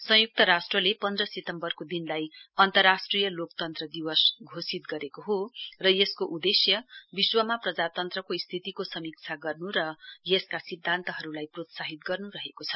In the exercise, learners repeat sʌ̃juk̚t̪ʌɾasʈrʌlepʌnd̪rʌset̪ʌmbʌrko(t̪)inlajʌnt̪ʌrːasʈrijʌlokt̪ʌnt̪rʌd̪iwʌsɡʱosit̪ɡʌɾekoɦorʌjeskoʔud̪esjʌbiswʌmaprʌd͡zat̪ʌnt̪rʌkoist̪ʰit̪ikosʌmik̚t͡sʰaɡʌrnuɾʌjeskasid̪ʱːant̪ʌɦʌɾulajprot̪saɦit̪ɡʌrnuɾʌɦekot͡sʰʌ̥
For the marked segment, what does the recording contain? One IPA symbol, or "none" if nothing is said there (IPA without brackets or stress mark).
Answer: d̪